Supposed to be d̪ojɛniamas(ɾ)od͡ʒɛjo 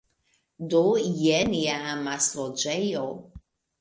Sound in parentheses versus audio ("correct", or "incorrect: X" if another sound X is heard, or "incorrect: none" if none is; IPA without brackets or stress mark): incorrect: l